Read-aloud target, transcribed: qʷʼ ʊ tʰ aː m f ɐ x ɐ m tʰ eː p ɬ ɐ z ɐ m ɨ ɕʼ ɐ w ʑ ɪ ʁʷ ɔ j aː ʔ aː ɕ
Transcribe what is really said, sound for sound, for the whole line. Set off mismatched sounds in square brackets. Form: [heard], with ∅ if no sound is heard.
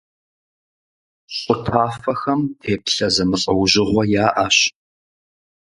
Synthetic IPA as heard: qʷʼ ʊ tʰ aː [∅] f ɐ x ɐ m tʰ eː p ɬ ɐ z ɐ m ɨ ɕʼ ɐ w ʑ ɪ ʁʷ ɔ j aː ʔ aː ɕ